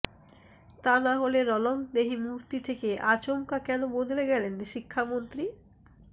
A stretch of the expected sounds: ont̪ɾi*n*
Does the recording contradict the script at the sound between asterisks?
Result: yes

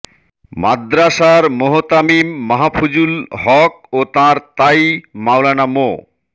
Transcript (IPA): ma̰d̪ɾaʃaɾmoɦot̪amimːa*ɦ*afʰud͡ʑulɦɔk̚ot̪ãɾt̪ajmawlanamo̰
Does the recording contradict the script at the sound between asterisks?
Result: no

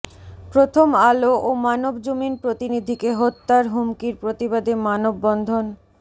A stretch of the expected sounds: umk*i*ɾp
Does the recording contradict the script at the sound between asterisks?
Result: no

